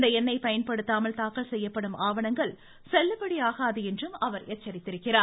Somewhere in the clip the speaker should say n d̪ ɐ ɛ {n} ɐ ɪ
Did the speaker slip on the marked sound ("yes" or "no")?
yes